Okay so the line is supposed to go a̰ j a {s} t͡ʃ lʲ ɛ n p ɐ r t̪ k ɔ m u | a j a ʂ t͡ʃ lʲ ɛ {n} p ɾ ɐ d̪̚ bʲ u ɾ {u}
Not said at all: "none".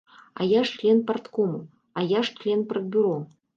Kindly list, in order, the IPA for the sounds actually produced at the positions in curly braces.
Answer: ʂ, n, ɔ

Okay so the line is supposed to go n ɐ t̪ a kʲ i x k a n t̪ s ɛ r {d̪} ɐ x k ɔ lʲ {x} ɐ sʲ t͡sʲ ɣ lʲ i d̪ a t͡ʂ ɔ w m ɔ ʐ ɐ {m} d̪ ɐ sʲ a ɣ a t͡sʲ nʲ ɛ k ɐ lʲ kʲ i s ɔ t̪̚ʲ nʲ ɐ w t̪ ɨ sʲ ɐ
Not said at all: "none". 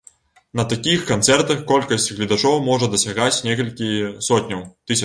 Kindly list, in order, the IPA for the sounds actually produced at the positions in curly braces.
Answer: t̪, k, none

